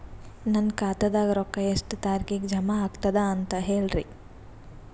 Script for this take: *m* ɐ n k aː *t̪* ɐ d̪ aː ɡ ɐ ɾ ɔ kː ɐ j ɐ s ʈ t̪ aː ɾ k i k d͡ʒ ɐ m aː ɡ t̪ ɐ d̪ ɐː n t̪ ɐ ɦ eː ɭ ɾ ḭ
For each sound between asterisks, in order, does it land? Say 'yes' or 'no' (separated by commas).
no, yes